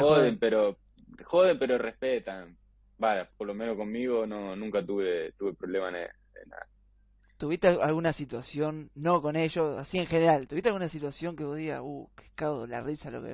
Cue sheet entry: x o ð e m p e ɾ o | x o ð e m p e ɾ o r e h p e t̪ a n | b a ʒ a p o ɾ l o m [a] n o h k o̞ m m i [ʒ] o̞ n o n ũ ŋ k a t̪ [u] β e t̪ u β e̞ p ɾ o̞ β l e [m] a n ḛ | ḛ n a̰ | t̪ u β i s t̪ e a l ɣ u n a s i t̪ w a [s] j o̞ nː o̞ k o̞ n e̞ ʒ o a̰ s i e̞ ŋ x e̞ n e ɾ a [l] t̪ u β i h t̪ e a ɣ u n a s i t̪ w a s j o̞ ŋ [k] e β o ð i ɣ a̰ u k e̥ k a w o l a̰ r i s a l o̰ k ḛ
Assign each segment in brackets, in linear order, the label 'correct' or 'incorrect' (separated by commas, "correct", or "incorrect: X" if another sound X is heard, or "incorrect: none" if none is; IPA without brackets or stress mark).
incorrect: e, incorrect: ɣ, correct, correct, correct, correct, correct